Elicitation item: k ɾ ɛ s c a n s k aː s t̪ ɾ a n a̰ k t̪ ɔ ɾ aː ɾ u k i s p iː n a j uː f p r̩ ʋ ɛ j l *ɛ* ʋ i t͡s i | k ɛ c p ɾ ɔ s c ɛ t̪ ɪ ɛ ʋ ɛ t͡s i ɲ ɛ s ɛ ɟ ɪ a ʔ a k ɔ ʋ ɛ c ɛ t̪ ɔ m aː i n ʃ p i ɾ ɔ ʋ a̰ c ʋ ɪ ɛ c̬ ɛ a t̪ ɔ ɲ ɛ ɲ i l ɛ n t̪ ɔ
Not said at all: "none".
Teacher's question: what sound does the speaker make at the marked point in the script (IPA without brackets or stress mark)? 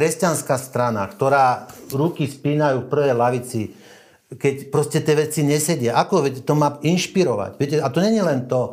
a